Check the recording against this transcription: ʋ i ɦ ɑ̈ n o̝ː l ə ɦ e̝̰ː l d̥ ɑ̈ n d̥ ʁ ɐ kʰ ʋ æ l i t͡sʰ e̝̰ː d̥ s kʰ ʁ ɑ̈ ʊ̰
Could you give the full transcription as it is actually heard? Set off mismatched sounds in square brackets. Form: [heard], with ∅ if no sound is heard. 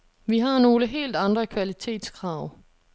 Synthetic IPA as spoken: ʋ i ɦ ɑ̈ n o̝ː l ə ɦ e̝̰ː l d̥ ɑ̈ n d̥ ʁ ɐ kʰ ʋ æ l i t͡sʰ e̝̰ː d̥ s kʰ ʁ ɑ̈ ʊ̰